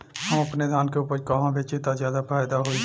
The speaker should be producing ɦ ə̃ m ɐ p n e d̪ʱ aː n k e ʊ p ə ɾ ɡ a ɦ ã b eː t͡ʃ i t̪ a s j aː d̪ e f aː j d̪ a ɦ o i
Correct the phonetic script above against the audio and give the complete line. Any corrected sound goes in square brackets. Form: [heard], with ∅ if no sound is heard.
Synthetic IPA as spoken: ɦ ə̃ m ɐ p n e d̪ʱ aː n k e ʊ p ə ɾ [k] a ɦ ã b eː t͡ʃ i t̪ a [z] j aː d̪ [a] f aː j d̪ a ɦ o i